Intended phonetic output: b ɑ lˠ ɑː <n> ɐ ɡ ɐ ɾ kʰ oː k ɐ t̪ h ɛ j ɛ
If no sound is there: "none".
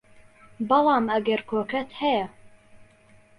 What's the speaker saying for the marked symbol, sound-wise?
m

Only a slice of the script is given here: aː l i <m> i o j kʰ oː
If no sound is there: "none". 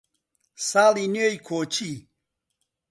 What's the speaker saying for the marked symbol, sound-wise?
n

